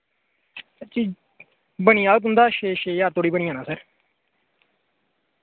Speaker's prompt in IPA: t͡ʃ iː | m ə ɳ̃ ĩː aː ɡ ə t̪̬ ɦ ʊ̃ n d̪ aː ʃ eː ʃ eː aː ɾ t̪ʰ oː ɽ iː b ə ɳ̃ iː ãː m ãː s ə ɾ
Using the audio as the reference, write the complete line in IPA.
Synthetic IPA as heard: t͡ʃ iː | b ə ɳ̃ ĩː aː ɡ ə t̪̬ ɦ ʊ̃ n d̪ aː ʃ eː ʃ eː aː ɾ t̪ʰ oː ɽ iː b ə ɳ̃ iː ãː n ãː s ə ɾ